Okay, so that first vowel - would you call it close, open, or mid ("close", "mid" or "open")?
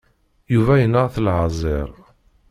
close